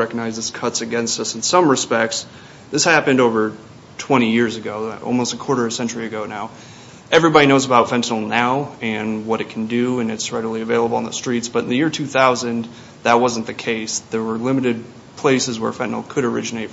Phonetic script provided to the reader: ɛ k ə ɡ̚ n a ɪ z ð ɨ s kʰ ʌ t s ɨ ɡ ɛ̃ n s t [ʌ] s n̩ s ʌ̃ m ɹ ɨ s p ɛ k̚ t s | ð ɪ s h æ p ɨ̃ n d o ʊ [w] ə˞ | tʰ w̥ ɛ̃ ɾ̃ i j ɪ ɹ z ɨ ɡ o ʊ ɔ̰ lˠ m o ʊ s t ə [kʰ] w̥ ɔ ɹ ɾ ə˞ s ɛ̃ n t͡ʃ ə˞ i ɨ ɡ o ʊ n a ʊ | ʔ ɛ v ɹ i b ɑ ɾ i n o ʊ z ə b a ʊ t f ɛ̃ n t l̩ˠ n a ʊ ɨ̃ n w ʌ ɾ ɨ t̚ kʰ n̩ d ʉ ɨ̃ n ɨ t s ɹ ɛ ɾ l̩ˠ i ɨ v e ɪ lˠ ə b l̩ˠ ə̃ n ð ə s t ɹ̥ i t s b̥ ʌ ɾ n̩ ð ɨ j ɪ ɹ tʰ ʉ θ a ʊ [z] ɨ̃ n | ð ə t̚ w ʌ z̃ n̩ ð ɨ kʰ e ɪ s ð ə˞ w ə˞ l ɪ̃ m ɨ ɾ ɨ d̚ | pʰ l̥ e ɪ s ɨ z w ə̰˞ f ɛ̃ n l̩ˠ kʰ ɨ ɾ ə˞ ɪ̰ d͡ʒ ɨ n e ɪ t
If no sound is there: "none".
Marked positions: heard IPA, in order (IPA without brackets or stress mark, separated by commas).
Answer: ʌ, v, kʰ, z